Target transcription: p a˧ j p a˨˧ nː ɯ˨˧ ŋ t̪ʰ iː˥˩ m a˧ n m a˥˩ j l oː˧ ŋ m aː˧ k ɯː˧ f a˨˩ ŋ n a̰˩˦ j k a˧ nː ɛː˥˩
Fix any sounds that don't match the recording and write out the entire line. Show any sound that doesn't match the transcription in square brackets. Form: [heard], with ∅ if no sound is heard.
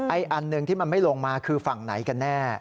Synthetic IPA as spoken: [ʔ] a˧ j [ʔ] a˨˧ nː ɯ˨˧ ŋ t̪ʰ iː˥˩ m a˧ n m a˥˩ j l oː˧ ŋ m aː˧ [kʰ] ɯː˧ f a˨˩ ŋ n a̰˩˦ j k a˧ nː ɛː˥˩